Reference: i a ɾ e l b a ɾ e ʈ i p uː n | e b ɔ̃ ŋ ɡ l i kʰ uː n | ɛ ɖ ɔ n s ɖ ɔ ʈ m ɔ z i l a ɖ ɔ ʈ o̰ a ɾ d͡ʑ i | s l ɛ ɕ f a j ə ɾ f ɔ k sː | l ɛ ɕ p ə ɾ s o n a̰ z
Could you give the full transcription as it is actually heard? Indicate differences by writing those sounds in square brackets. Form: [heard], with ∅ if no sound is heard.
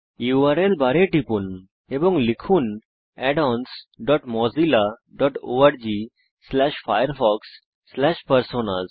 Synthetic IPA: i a ɾ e l b a ɾ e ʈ i p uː n | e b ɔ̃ ŋ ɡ l i kʰ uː n | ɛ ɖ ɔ n s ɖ ɔ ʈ m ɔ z i l a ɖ ɔ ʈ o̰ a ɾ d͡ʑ i | s l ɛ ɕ f a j ə ɾ f ɔ k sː | l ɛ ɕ p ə ɾ s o n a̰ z